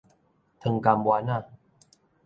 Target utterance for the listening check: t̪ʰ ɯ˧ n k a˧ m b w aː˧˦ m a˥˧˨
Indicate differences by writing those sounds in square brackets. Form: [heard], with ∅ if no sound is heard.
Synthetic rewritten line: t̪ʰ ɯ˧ [ŋ] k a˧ m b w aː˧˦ [n] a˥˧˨